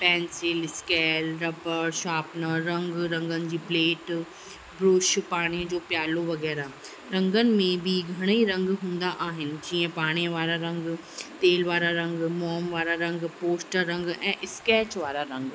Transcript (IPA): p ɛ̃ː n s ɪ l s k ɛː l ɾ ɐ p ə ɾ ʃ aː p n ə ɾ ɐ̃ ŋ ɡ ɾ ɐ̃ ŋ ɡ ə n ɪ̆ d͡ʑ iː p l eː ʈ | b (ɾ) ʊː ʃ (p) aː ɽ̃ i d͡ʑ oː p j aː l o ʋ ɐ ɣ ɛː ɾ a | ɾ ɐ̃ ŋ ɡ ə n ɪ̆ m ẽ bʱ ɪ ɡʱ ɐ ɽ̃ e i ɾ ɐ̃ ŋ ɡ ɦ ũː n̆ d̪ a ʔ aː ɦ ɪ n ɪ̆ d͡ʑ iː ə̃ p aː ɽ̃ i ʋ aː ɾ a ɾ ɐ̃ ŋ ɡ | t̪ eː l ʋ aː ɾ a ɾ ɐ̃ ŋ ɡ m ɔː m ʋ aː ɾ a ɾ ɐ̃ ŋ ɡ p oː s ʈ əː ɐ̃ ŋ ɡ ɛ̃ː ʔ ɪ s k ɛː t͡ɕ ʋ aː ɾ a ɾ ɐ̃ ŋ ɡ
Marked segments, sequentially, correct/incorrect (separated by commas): correct, correct